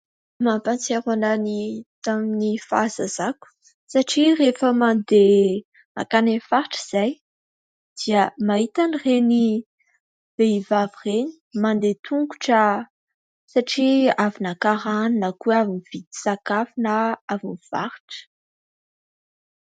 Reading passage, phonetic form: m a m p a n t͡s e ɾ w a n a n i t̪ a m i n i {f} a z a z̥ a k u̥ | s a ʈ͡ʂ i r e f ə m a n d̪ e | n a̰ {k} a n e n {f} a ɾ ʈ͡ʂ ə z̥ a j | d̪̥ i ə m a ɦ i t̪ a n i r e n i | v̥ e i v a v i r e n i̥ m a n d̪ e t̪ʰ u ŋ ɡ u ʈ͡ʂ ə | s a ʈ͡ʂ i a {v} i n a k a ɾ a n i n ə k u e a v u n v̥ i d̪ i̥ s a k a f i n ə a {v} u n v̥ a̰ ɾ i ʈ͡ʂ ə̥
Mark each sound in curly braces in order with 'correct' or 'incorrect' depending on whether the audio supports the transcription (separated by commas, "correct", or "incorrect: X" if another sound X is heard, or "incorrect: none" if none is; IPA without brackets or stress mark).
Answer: correct, correct, correct, correct, correct